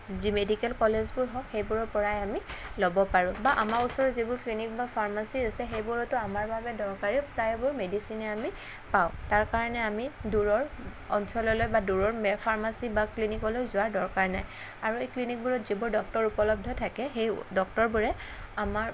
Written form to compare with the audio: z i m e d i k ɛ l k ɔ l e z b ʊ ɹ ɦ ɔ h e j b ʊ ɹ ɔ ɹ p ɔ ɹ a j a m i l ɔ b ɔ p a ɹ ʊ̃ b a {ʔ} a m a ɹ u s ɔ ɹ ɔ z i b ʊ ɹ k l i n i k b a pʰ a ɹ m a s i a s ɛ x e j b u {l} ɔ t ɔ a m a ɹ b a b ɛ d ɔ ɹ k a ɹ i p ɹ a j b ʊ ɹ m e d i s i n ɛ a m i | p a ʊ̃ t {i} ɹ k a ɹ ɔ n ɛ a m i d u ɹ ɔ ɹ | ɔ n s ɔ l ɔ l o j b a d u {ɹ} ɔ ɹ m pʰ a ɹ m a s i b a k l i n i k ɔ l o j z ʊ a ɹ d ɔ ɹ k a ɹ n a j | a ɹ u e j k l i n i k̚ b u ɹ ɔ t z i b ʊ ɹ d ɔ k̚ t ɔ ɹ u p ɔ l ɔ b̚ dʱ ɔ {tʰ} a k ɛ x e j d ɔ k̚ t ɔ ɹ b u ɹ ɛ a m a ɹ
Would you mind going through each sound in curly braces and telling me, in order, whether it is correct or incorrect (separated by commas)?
correct, incorrect, incorrect, correct, correct